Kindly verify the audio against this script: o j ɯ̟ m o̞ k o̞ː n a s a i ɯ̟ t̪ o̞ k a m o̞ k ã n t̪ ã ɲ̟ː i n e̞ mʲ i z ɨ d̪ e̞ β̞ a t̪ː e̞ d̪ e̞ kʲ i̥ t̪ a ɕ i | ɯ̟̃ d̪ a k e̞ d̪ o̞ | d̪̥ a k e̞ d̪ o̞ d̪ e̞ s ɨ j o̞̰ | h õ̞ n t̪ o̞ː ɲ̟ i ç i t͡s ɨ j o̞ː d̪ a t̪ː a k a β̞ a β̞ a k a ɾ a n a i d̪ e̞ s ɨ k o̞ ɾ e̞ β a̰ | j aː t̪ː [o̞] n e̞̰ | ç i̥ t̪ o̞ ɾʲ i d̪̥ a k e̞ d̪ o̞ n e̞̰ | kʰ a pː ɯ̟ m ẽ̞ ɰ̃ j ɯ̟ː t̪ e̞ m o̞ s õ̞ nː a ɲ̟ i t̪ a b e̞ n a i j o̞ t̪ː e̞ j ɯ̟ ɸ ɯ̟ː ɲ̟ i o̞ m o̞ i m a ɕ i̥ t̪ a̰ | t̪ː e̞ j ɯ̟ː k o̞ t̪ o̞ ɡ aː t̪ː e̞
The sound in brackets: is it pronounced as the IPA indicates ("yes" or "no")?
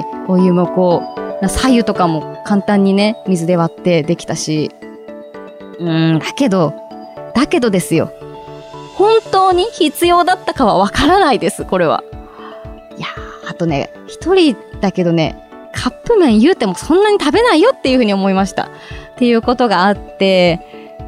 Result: yes